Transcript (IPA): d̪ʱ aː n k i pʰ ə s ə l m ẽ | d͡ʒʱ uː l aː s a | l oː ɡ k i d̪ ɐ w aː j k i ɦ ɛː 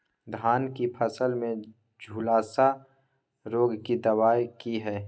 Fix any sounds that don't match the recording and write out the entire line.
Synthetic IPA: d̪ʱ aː n k i pʰ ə s ə l m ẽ | d͡ʒʱ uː l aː s a | ɾ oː ɡ k i d̪ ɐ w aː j k i ɦ ɛː